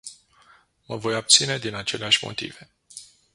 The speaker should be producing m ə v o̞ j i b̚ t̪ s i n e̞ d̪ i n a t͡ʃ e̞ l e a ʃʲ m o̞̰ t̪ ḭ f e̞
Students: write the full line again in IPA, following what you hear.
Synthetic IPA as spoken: m ə v o̞ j a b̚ t̪ s i n e̞ d̪ i n a t͡ʃ e̞ l e a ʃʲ m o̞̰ t̪ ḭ v e̞